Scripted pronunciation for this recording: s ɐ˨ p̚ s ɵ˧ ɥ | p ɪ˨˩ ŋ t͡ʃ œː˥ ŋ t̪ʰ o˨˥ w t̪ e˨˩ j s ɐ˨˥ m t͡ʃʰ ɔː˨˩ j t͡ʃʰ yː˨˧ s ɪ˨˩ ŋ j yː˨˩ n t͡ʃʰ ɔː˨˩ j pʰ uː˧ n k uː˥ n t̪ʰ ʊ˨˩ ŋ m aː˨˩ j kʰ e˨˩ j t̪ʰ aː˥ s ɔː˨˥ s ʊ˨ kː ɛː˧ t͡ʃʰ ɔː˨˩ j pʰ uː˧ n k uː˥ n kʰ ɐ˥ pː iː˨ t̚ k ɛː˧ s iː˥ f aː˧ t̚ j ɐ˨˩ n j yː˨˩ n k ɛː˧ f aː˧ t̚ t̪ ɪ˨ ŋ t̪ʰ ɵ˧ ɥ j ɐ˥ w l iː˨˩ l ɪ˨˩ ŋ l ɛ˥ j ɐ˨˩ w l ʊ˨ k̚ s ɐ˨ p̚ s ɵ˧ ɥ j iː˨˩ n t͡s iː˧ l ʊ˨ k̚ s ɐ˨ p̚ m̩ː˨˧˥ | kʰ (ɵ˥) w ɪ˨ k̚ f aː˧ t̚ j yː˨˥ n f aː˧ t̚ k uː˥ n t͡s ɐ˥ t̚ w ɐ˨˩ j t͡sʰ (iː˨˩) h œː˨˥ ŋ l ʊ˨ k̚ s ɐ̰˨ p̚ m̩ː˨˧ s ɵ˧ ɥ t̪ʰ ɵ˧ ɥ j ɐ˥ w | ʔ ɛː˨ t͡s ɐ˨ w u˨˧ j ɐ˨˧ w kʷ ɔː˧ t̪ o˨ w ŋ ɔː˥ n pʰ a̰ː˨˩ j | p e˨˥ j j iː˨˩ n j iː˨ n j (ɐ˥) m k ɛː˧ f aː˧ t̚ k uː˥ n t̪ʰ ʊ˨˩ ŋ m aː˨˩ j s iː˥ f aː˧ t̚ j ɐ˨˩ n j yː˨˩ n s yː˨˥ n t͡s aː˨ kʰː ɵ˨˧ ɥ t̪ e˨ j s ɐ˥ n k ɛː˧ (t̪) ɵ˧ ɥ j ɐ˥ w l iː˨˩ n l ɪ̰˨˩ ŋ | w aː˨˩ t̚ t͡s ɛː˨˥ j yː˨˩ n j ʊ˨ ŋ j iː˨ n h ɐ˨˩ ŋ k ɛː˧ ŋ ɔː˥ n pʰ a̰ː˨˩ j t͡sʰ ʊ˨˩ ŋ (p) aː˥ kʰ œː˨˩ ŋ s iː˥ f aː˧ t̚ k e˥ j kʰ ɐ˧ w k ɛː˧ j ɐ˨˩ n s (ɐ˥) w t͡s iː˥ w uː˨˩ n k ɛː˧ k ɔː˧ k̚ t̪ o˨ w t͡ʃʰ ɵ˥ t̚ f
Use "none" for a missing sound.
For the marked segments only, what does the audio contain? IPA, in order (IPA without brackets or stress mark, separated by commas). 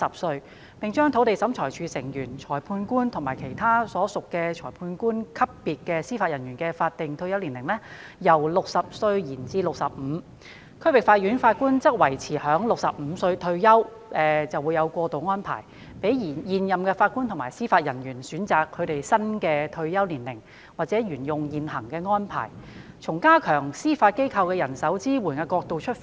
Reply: ɵ˥, iː˨˩, ɐ˨, t̪ʰ, k, ɐ˨˥